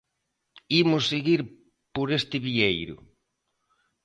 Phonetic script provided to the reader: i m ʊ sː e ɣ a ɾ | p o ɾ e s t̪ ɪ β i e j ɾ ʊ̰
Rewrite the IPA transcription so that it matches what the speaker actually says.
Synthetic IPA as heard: i m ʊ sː e ɣ i ɾ | p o ɾ e s t̪ ɪ β i e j ɾ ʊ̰